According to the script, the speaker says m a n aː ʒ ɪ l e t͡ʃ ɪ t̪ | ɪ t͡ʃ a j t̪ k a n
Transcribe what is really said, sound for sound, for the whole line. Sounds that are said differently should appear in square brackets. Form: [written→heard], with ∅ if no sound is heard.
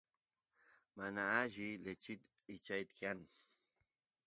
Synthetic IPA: m a n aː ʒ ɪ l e t͡ʃ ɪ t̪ | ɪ t͡ʃ a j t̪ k a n